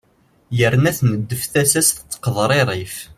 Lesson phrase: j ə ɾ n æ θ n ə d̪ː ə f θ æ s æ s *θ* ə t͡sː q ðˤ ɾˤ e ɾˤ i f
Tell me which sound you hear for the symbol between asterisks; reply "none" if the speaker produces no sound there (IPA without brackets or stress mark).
θ